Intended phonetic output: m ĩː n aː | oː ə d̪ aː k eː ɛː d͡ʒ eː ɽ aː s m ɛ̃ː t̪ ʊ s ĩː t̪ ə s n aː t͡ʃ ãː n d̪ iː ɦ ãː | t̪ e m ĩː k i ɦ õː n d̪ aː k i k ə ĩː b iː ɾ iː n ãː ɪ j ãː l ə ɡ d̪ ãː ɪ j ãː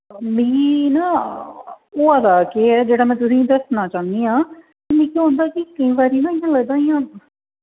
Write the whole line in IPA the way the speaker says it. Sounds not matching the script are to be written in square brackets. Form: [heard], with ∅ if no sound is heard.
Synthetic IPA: m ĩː n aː | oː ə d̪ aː k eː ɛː d͡ʒ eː ɽ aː [∅] m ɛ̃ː t̪ ʊ s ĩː [d̪] ə s n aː t͡ʃ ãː n d̪ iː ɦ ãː | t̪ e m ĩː k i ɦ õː n d̪ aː k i k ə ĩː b [aː] ɾ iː n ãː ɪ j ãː l ə ɡ d̪ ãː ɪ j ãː